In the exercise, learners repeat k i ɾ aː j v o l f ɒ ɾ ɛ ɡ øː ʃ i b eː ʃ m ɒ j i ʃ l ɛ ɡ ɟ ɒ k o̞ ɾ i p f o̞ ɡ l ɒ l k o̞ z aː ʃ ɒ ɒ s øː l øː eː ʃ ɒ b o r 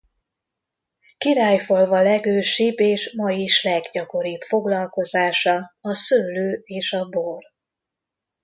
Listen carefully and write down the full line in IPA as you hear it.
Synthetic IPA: k i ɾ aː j f o l v ɒ l ɛ ɡ øː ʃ i b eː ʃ m ɒ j i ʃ l ɛ ɡ ɟ ɒ k o̞ ɾ i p f o̞ ɡ l ɒ l k o̞ z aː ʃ ɒ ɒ s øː l øː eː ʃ ɒ b o r